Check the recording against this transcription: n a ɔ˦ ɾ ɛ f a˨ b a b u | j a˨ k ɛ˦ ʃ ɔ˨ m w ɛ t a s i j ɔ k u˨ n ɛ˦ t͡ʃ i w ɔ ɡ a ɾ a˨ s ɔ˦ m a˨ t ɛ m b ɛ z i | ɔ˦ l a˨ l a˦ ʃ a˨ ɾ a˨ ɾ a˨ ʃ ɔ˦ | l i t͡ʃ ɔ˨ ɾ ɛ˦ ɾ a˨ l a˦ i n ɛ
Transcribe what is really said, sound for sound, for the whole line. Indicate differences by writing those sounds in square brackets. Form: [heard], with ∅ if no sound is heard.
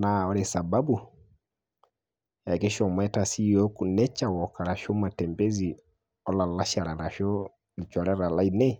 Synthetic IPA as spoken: n a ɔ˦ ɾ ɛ [s] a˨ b a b u | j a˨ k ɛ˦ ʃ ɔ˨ m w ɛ t a s i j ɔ k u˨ n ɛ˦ t͡ʃ [a] w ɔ [k] a ɾ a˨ [ʃ] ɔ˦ m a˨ t ɛ m b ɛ z i | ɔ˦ l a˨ l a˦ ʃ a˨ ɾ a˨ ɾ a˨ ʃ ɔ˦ | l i t͡ʃ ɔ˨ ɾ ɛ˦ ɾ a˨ l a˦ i n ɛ